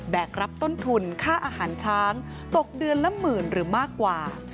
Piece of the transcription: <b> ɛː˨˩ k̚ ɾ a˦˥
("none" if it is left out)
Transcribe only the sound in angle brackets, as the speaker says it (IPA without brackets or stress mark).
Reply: b